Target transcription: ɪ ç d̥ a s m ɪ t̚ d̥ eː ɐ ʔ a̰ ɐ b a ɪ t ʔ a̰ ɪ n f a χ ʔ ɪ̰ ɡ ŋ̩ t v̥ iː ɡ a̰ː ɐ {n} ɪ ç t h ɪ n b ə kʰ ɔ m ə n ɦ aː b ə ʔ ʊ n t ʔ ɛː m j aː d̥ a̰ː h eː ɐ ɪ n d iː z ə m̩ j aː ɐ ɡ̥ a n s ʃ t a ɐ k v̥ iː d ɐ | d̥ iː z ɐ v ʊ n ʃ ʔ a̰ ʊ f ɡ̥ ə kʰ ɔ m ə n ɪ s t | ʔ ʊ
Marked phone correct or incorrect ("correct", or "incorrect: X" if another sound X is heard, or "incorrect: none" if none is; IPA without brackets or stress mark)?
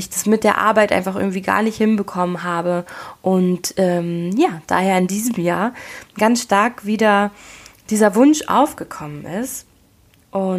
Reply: correct